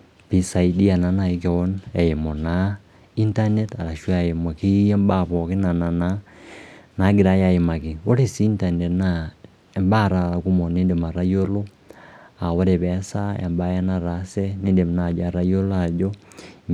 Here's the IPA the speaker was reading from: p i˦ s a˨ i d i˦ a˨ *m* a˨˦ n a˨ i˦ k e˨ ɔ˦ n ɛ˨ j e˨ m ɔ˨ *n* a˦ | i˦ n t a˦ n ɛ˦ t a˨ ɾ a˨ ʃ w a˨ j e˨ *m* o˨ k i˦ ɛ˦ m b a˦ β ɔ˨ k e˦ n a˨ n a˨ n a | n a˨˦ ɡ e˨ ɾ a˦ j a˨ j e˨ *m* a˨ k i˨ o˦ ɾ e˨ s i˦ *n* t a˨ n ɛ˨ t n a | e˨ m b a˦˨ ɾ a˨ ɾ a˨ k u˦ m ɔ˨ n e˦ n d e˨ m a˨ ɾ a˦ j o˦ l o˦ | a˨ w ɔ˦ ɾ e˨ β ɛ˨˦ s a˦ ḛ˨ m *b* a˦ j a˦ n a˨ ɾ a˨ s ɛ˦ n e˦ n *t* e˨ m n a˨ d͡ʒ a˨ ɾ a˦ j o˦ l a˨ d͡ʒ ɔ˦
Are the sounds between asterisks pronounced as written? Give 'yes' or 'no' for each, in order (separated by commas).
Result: no, yes, yes, yes, yes, yes, no